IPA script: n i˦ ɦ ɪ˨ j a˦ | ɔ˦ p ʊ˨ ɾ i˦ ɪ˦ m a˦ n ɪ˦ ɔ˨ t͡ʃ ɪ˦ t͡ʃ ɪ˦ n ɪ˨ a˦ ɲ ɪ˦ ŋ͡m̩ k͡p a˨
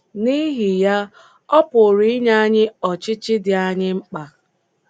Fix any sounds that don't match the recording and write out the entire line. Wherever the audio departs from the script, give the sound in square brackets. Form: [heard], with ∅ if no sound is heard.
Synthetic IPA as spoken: n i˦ ɦ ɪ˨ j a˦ | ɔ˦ p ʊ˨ ɾ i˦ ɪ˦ [ɲ] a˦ [ɲ] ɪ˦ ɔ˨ t͡ʃ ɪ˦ t͡ʃ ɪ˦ [d] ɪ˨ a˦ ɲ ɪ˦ ŋ͡m̩ k͡p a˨